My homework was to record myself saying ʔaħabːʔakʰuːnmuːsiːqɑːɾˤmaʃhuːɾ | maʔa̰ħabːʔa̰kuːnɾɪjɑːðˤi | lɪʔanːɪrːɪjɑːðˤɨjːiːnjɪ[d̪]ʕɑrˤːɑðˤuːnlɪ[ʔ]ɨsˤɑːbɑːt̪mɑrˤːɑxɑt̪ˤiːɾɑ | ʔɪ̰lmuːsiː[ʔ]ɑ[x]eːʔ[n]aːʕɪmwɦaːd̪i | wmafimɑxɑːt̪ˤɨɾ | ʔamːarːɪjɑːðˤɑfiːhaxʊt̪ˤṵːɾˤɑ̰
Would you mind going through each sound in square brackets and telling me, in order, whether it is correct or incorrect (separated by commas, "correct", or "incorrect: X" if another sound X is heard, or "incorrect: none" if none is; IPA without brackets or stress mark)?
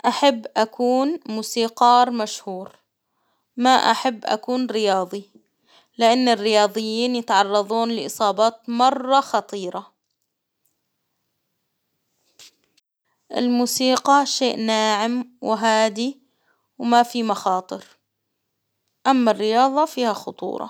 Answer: incorrect: t̪, correct, incorrect: q, incorrect: ʃ, correct